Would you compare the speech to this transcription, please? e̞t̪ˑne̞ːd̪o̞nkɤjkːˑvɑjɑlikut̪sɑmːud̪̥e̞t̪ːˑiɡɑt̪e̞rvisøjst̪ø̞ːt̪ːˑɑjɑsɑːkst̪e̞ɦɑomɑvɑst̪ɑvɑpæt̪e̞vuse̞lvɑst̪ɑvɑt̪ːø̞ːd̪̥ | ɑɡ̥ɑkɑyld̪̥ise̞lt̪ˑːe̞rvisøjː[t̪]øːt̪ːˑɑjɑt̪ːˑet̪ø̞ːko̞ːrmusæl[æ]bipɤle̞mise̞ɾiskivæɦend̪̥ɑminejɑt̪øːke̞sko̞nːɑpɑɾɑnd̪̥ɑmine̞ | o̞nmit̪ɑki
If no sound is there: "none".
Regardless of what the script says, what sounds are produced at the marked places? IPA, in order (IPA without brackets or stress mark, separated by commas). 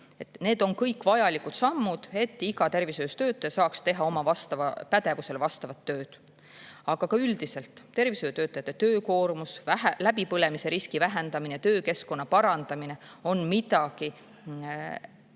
t̪, æ